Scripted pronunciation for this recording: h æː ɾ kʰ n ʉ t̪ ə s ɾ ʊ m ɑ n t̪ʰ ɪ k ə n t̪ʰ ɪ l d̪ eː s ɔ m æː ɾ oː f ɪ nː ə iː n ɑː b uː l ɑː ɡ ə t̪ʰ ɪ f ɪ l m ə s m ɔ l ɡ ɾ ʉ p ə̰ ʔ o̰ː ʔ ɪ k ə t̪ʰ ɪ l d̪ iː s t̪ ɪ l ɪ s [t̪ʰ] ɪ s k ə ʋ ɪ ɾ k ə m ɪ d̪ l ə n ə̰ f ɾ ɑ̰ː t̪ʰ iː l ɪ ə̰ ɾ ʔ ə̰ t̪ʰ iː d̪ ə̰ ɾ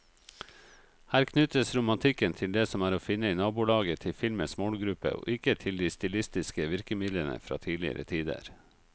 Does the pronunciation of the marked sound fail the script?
yes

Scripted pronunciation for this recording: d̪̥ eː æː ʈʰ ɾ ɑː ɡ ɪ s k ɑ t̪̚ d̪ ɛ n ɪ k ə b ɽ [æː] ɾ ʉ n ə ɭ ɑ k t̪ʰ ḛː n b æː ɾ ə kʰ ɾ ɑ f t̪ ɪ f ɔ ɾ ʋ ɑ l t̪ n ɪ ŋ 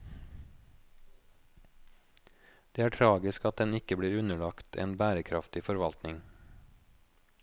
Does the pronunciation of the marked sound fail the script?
yes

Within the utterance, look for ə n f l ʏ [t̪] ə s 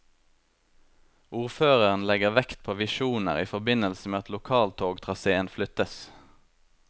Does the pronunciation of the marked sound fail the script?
no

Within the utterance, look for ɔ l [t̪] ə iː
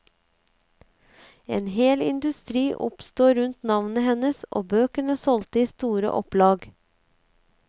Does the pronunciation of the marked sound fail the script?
no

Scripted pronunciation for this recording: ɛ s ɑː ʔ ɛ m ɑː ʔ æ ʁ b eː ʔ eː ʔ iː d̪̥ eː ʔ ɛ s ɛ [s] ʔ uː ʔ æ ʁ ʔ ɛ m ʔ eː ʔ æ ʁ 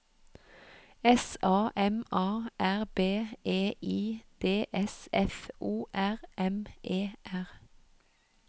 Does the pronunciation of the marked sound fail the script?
yes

